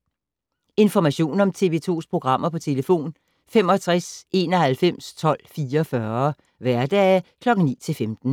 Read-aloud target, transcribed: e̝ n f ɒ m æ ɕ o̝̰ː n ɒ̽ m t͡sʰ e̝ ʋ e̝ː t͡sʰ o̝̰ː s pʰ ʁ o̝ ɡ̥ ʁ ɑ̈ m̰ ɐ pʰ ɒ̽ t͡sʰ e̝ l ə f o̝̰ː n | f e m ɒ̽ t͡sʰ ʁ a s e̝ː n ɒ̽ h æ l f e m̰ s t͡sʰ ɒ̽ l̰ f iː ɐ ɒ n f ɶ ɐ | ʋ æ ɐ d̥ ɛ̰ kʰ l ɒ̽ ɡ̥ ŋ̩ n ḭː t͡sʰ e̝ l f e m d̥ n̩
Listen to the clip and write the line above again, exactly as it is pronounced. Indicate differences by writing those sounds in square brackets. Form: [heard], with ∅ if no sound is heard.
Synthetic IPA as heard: e̝ n f ɒ m æ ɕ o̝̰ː n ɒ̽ m t͡sʰ e̝ ʋ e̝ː t͡sʰ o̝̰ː s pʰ ʁ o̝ ɡ̥ ʁ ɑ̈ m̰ ɐ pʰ ɒ̽ t͡sʰ e̝ l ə f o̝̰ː n | f e m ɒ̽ t͡sʰ ʁ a s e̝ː n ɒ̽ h æ l f e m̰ s t͡sʰ ɒ̽ l̰ f iː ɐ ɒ [∅] f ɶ ɐ | ʋ æ ɐ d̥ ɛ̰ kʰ l ɒ̽ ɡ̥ ŋ̩ n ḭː t͡sʰ e̝ l f e m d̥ n̩

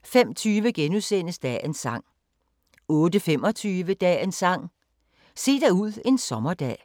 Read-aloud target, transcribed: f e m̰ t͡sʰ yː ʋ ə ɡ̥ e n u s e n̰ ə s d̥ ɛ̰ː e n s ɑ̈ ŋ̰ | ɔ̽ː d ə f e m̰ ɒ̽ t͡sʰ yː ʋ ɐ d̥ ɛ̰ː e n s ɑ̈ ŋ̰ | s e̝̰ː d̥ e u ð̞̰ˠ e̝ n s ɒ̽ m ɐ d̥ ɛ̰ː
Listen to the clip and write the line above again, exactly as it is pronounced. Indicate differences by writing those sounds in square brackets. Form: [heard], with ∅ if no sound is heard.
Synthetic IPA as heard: f e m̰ t͡sʰ yː ʋ ə ɡ̥ e n u s e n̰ ə s d̥ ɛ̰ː e n s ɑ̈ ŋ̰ | ɔ̽ː d ə f e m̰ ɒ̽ t͡sʰ yː ʋ [ə] d̥ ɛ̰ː e n s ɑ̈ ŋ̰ | s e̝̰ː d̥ [æ] u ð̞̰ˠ e̝ n s ɒ̽ m ɐ d̥ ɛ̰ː

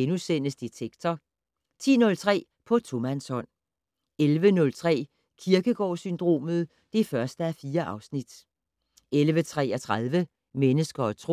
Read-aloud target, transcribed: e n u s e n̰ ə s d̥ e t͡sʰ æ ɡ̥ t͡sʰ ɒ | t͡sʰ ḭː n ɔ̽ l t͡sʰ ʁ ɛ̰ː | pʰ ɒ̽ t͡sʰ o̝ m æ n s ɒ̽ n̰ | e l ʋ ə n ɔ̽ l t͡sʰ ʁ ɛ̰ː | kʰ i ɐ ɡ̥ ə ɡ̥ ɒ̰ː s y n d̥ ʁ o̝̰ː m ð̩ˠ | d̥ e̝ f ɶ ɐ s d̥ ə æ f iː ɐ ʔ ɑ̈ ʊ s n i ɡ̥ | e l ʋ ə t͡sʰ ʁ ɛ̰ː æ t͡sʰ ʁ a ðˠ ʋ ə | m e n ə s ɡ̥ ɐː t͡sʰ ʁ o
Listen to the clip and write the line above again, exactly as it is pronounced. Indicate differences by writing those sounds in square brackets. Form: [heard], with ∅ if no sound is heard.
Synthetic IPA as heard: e n u s e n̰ ə s d̥ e t͡sʰ [e] ɡ̥ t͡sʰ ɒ | t͡sʰ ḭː n ɔ̽ l t͡sʰ ʁ ɛ̰ː | pʰ ɒ̽ t͡sʰ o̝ m æ n s ɒ̽ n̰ | e l ʋ ə n ɔ̽ l t͡sʰ ʁ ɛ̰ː | kʰ i ɐ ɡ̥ ə ɡ̥ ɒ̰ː s y n d̥ ʁ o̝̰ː m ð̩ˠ | d̥ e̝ f ɶ ɐ s d̥ ə æ f iː ɐ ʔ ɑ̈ ʊ s n i [d̥] | e l ʋ ə t͡sʰ ʁ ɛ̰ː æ t͡sʰ ʁ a ðˠ ʋ ə | m e n ə s ɡ̥ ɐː t͡sʰ ʁ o

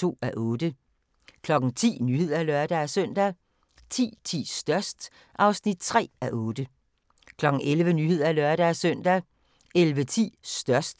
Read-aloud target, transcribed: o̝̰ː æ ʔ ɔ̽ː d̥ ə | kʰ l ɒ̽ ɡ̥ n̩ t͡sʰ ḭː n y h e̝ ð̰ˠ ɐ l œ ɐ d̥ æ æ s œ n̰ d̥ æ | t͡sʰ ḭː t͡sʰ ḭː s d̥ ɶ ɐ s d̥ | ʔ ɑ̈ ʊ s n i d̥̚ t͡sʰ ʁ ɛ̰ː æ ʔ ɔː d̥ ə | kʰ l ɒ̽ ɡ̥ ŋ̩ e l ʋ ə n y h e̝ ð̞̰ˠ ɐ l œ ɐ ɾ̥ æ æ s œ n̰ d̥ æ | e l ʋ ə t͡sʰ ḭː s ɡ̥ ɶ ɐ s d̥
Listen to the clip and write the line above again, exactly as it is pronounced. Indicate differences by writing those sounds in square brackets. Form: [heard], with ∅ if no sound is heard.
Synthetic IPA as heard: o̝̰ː æ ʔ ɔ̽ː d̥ ə | kʰ l ɒ̽ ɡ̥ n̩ t͡sʰ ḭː n y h e̝ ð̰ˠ ɐ l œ ɐ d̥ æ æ s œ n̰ d̥ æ | t͡sʰ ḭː t͡sʰ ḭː s d̥ ɶ ɐ s d̥ | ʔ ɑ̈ ʊ s n i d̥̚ t͡sʰ ʁ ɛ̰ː æ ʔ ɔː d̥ ə | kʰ l ɒ̽ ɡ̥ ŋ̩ e l ʋ ə n y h e̝ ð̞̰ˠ ɐ l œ ɐ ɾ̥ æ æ s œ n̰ d̥ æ | e l ʋ ə t͡sʰ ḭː s [d̥] ɶ ɐ s d̥

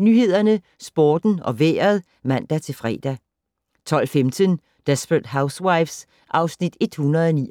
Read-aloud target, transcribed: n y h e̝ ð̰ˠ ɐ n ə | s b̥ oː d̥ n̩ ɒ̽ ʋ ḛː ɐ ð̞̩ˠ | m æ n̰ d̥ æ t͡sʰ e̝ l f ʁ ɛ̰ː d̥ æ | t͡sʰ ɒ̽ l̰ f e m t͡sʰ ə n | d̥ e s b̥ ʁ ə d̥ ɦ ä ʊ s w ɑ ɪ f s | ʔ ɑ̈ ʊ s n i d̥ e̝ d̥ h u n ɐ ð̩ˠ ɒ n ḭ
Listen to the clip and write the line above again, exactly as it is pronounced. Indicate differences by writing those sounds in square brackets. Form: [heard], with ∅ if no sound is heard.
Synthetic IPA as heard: n y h e̝ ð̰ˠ ɐ n ə | s b̥ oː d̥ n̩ ɒ̽ ʋ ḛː ɐ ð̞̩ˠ | m æ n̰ d̥ æ t͡sʰ e̝ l f ʁ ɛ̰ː d̥ æ | t͡sʰ ɒ̽ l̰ f e m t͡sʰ ə n | d̥ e s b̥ ʁ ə d̥ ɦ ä ʊ s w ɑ ɪ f s | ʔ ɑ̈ ʊ s n i d̥ e̝ d̥ h u n ɐ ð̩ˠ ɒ n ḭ

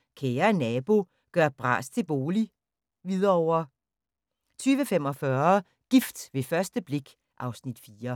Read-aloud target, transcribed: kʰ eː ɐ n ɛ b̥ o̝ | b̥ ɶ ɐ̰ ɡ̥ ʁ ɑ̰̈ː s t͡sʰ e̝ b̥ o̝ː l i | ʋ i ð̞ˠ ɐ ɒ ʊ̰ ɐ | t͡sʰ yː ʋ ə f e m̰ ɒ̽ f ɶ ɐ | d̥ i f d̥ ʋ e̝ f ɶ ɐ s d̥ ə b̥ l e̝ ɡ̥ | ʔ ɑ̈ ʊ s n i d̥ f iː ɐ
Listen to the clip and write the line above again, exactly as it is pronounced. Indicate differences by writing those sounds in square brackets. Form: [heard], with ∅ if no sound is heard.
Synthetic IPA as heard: kʰ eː ɐ n ɛ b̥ o̝ | [ɡ̥] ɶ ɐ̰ [b̥] ʁ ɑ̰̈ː s t͡sʰ e̝ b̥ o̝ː l i | ʋ i ð̞ˠ ɐ ɒ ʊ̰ ɐ | t͡sʰ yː ʋ ə f e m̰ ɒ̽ f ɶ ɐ | [ɡ̥] i f d̥ ʋ e̝ f ɶ ɐ s d̥ ə b̥ l e̝ ɡ̥ | ʔ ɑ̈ ʊ s n i d̥ f iː ɐ

